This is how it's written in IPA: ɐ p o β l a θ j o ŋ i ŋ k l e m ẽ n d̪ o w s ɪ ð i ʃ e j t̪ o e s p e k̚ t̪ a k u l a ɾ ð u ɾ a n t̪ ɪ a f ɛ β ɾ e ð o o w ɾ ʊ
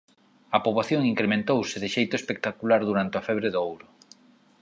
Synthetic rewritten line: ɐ p o β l a θ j o ŋ i ŋ k ɾ e m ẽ n t̪ o w s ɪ ð ɪ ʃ e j t̪ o e s p e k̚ t̪ a k u l a ɾ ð u ɾ a n t̪ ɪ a f ɛ β ɾ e ð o o w ɾ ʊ